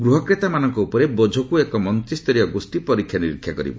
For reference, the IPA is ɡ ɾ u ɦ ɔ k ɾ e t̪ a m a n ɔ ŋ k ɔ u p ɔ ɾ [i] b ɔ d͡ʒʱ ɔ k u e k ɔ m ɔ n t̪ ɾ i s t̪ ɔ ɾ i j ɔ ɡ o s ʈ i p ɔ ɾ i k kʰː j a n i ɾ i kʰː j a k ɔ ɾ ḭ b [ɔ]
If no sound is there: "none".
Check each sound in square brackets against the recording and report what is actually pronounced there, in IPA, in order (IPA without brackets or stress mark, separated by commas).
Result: e, ɔ